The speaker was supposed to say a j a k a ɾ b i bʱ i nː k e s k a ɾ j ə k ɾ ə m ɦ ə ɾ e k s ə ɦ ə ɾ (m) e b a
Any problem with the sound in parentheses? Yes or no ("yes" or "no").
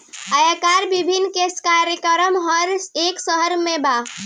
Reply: no